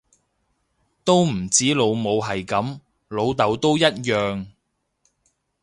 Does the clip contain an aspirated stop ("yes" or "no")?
no